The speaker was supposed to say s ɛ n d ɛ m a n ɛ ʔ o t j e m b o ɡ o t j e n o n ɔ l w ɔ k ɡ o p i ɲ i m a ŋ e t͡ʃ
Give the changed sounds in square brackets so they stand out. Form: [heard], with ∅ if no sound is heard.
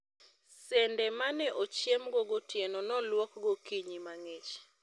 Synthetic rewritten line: s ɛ n d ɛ m a n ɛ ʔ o [t͡ʃ] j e m [ɡ] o ɡ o t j e n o n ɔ l w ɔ k ɡ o [k] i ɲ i m a ŋ e t͡ʃ